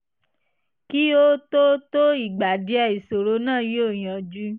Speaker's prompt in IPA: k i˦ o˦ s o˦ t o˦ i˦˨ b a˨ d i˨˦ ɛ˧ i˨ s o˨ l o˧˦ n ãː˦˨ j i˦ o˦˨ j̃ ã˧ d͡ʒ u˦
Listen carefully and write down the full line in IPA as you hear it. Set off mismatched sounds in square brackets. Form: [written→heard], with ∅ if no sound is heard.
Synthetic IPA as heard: k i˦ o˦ [s→t] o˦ t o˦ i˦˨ [b→ɡ͡b] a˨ d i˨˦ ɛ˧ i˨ s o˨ [l→ɾ] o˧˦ n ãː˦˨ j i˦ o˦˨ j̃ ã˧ d͡ʒ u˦